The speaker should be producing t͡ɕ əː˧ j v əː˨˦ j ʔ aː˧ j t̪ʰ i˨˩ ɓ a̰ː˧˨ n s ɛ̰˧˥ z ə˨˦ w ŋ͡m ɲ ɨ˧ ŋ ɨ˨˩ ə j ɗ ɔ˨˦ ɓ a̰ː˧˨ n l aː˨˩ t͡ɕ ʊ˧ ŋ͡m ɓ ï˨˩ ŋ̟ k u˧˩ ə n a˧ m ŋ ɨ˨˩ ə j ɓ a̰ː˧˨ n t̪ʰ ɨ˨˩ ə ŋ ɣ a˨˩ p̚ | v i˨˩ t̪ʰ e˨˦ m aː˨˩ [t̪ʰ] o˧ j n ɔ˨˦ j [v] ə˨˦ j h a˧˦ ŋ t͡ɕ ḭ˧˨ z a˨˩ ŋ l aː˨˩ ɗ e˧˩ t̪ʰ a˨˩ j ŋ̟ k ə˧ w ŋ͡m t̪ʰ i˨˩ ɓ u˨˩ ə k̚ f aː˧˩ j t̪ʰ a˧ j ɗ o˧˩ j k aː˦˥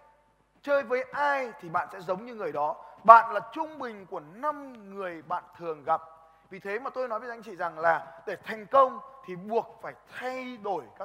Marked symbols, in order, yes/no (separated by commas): no, yes